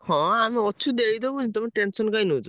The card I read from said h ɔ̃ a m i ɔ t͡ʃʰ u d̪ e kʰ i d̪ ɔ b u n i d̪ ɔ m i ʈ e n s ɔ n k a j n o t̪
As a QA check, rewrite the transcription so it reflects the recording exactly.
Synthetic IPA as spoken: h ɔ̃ a m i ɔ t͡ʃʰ u d̪ e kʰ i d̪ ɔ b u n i t̪ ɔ m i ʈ e n s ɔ n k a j n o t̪